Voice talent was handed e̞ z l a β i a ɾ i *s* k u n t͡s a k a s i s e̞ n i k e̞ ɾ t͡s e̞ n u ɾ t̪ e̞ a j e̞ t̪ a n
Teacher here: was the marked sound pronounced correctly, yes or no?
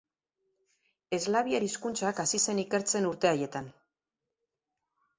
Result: yes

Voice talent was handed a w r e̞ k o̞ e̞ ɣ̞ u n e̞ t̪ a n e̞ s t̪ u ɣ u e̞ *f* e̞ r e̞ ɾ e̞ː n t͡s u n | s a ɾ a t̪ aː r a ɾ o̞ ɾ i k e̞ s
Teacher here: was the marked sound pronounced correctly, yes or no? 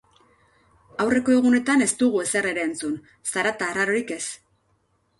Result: no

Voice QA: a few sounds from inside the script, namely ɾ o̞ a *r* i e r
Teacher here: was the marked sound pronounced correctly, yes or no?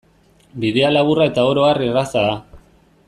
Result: yes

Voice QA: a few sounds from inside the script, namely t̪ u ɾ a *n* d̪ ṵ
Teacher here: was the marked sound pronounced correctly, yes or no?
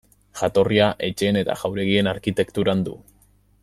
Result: yes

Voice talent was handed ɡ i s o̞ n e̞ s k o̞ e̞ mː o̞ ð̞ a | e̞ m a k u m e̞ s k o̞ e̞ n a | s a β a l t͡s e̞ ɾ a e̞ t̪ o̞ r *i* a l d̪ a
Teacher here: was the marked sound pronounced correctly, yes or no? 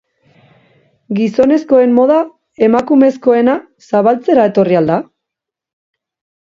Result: yes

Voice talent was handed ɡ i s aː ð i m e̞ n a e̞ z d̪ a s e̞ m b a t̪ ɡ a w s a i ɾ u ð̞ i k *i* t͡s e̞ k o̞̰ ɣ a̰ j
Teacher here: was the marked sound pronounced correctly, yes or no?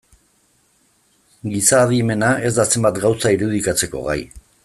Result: no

